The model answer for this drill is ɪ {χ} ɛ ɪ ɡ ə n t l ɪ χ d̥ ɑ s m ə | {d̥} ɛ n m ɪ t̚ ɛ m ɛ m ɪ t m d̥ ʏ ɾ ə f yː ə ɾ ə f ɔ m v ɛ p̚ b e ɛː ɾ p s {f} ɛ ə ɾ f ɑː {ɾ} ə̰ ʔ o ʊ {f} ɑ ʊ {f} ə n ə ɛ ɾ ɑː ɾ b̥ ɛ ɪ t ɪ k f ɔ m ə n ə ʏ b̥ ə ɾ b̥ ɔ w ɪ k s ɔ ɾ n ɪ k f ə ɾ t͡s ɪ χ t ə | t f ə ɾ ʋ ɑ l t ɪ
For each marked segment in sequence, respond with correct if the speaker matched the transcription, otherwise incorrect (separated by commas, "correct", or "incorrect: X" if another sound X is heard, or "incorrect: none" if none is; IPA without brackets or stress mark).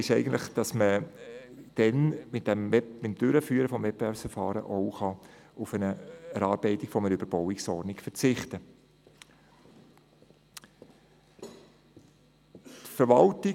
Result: incorrect: ʃ, correct, correct, correct, incorrect: χ, correct